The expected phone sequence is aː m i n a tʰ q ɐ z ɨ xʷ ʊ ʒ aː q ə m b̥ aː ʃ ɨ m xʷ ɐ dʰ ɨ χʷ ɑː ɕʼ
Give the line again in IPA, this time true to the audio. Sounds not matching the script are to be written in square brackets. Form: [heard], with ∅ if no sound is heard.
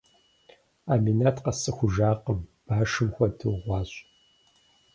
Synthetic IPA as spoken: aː m i n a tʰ q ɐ [s] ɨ xʷ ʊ ʒ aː q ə m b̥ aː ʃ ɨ m xʷ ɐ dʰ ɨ [ʁʷ] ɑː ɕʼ